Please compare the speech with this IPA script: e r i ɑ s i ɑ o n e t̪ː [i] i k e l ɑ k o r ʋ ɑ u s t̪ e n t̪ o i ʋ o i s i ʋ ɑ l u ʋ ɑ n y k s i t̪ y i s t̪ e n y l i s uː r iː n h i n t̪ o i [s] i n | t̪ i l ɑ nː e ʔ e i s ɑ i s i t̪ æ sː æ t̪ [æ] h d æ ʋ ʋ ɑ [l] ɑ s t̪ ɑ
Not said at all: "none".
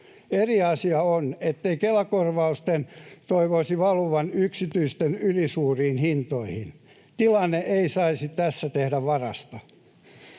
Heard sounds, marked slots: e, h, e, r

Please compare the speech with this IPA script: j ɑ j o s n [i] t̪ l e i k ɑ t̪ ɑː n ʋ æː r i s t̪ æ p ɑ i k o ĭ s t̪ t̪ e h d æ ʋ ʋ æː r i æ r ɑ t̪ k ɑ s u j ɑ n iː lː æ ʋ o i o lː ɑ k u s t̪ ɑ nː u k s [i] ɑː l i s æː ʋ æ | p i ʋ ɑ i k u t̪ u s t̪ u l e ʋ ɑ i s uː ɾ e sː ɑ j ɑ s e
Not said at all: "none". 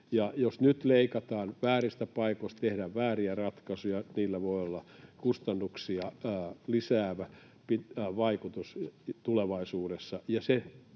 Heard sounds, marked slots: y, i

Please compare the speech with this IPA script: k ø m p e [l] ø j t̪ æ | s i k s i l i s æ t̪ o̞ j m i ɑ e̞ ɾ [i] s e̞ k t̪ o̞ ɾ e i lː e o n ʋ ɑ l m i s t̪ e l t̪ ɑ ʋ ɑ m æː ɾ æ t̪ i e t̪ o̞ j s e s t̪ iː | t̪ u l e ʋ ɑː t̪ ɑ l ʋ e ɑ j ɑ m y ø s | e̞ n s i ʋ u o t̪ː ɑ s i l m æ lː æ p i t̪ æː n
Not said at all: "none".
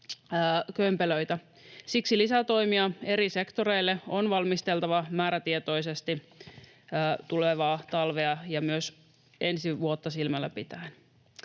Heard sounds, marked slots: l, i

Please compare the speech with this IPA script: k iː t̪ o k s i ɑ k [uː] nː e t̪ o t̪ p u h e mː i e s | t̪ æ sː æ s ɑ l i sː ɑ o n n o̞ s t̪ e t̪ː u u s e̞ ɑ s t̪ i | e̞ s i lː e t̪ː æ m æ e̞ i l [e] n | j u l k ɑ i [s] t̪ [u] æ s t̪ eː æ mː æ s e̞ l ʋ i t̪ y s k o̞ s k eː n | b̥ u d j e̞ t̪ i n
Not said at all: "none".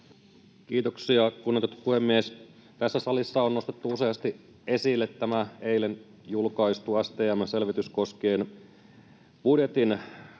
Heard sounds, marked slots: u, e, s, u

